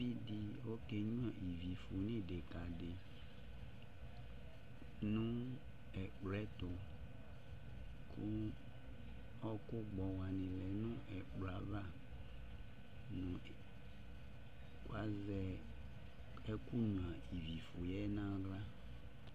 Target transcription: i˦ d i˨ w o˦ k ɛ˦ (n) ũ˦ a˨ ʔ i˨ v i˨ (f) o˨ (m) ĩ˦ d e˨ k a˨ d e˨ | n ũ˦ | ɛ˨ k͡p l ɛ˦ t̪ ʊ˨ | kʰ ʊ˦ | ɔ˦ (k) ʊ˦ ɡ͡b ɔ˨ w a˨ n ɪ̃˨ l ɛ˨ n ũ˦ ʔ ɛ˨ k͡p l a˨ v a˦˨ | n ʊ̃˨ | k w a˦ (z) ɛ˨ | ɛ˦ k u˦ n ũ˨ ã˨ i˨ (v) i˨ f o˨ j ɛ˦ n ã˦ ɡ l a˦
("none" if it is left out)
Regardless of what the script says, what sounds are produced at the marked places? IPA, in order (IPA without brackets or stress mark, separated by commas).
ɲ, f, n, k, z, v